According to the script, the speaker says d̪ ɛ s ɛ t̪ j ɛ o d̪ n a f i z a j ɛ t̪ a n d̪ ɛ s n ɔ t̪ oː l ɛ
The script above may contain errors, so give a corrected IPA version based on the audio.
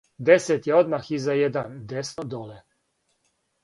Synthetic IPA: d̪ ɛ s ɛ t̪ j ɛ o d̪ m a x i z a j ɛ d̪ a n d̪ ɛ s n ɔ d̪ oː l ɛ